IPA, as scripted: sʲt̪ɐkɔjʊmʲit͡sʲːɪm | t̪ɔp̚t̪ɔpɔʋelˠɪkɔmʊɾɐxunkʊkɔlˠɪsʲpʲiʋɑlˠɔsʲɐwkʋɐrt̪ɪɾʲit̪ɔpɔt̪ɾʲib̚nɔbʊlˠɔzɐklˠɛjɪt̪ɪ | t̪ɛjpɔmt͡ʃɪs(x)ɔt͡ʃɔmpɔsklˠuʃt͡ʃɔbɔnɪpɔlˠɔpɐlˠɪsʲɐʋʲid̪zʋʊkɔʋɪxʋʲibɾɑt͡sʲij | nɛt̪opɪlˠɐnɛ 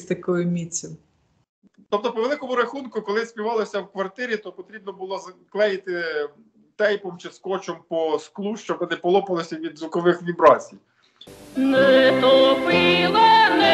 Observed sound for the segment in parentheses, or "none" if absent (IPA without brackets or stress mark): k